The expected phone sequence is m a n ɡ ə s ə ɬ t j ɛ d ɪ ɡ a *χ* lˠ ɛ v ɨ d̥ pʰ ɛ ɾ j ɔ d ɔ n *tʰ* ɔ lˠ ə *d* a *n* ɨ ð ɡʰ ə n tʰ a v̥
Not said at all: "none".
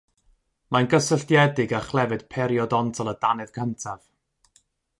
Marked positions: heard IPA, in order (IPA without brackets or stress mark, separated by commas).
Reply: χ, tʰ, d, n